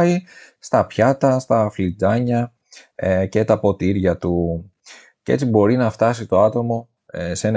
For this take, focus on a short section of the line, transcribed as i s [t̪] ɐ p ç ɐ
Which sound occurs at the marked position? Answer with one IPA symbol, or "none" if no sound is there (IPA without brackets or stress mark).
t̪